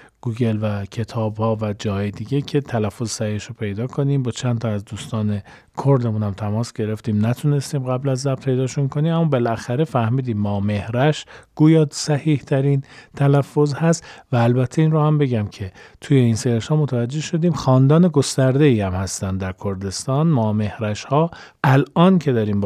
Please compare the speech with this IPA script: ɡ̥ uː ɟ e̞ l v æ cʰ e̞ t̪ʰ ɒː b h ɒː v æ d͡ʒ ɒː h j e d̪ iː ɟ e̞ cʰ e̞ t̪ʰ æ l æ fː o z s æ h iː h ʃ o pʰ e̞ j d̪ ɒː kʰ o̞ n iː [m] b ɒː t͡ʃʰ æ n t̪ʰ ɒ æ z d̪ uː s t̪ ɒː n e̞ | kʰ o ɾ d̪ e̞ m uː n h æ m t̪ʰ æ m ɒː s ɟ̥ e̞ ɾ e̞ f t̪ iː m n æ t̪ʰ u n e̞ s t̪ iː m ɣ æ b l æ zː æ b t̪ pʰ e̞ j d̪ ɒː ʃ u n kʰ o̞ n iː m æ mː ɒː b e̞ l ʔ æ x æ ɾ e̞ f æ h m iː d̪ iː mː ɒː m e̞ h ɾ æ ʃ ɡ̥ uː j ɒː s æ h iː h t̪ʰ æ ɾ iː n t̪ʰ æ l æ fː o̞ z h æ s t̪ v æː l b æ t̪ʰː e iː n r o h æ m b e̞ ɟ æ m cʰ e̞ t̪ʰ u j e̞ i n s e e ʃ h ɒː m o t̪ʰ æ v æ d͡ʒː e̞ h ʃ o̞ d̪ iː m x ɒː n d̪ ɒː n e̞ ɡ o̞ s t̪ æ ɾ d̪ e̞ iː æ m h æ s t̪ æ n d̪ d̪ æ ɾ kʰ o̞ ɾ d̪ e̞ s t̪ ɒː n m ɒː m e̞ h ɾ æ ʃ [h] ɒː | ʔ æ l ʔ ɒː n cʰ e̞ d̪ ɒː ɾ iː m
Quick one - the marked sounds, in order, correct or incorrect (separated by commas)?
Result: correct, correct